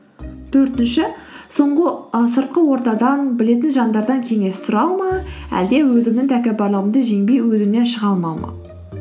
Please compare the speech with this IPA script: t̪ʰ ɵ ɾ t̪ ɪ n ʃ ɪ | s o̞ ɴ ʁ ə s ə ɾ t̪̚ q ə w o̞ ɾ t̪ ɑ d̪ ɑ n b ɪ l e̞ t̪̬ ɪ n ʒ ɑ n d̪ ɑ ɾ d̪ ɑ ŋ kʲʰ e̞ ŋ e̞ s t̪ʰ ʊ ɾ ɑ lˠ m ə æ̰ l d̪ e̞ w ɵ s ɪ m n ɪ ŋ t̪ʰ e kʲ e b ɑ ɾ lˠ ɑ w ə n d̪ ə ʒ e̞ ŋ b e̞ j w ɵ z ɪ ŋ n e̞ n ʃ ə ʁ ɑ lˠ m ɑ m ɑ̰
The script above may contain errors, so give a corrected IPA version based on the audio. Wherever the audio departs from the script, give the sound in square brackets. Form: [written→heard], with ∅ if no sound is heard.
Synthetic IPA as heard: t̪ʰ ɵ ɾ t̪ ɪ n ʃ ɪ | s o̞ ɴ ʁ ə s ə ɾ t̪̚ q ə w o̞ ɾ t̪ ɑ d̪ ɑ n b ɪ l e̞ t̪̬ ɪ n ʒ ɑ n d̪ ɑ ɾ d̪ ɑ ŋ kʲʰ e̞ ŋ e̞ s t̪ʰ ʊ ɾ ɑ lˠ m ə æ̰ l d̪ e̞ w ɵ [s→z] ɪ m n ɪ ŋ t̪ʰ [e→æ] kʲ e b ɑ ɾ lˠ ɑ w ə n d̪ ə ʒ e̞ ŋ b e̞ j w ɵ z ɪ [ŋ→m] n e̞ n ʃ ə ʁ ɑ lˠ m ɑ m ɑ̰